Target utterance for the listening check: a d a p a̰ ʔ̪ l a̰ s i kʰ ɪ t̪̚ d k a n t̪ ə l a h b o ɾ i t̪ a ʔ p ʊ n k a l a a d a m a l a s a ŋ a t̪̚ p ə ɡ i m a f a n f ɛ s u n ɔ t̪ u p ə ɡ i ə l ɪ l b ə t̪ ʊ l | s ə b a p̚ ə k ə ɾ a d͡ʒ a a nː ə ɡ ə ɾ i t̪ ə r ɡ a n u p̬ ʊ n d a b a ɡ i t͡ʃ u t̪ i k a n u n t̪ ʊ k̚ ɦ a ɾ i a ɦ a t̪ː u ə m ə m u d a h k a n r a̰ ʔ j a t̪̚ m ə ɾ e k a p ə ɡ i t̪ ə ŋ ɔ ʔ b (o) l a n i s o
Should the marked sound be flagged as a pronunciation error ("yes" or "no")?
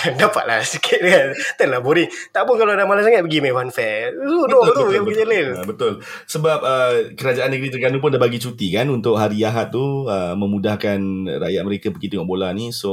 no